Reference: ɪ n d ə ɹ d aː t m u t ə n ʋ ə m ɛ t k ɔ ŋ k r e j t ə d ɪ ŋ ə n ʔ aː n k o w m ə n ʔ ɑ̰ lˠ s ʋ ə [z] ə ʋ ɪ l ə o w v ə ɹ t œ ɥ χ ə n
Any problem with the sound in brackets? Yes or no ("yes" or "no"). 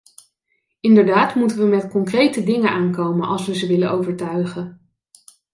no